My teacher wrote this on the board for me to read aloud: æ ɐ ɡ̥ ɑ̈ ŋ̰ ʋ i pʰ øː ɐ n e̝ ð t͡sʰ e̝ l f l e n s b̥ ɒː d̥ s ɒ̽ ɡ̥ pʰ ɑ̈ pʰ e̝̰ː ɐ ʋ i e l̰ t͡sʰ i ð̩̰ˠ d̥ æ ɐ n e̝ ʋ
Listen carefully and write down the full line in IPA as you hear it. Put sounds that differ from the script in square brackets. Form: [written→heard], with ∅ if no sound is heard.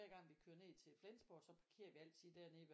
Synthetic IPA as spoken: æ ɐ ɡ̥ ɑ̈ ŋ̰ ʋ i [pʰ→kʰ] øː ɐ n e̝ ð t͡sʰ e̝ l f l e n s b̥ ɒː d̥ s ɒ̽ [ɡ̥→∅] pʰ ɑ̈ [pʰ→kʰ] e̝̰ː ɐ ʋ i [e→æ] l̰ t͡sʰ i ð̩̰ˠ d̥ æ ɐ n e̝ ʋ